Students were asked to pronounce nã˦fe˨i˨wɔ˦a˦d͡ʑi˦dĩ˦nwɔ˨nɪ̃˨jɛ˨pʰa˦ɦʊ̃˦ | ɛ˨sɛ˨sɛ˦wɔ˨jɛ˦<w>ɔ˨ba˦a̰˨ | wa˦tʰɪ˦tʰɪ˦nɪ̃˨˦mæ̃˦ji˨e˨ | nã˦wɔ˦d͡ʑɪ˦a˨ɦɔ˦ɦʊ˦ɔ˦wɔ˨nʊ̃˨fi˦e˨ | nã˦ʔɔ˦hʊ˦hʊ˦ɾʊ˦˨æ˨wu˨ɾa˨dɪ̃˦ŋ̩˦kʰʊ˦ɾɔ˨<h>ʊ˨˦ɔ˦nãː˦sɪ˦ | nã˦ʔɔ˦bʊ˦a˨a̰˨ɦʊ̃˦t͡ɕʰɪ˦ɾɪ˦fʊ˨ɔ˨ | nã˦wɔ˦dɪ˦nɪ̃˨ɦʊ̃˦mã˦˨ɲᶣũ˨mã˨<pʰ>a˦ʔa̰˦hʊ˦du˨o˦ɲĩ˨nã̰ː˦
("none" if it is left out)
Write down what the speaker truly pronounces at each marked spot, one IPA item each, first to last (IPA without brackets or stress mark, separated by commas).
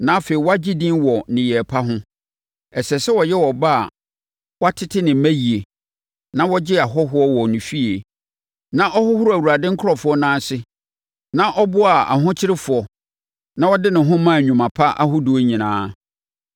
w, f, pʰ